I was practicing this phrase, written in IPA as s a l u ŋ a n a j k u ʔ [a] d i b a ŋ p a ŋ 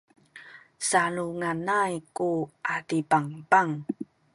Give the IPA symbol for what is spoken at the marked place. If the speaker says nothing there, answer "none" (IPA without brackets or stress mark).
a